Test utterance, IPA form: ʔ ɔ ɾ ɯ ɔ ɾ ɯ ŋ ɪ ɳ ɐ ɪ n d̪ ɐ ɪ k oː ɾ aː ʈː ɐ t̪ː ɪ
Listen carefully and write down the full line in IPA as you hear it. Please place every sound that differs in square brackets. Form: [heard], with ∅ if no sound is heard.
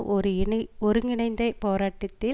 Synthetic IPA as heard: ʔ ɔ ɾ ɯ ɔ ɾ ɯ ŋ ɪ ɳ ɐ ɪ n d̪ ɐ ɪ [p] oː ɾ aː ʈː ɐ t̪ː ɪ